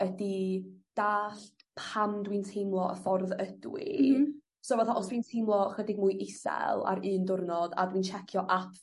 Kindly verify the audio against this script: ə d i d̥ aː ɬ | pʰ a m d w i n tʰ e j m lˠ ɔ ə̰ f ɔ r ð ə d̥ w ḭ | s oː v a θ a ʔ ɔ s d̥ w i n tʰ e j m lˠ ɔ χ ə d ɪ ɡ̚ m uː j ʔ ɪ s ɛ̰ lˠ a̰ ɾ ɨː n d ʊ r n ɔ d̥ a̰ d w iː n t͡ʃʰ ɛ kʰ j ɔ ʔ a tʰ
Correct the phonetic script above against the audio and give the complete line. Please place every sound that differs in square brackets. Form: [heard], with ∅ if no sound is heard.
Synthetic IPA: ə d i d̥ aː ɬ | pʰ a m d w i n tʰ e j m lˠ ɔ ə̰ f ɔ r ð ə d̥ w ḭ | s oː v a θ a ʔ ɔ s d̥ w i n tʰ e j m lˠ ɔ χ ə d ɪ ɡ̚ m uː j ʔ ɪ s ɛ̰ lˠ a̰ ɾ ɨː n d ʊ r n ɔ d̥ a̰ d w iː n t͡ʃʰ ɛ kʰ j ɔ ʔ a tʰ